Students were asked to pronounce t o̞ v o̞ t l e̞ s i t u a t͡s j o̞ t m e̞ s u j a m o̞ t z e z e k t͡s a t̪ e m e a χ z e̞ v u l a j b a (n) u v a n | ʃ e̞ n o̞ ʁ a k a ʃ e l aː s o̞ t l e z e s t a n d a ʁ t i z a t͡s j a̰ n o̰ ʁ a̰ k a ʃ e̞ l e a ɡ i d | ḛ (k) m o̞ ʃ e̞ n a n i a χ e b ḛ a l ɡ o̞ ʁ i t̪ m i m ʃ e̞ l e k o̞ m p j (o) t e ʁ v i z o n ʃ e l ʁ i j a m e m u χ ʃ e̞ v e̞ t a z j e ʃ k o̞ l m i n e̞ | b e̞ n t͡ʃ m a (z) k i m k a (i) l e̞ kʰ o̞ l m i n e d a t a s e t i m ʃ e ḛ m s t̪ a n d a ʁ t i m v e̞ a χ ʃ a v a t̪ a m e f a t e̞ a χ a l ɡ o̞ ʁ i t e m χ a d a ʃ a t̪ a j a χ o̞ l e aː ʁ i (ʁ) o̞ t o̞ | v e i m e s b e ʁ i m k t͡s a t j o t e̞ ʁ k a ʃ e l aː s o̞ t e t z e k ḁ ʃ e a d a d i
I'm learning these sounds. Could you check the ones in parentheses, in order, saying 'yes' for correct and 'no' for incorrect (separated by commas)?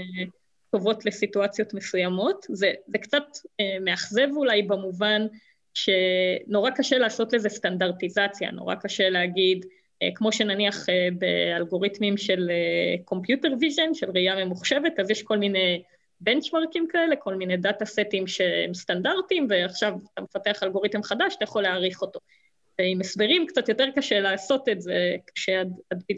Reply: no, yes, no, no, no, no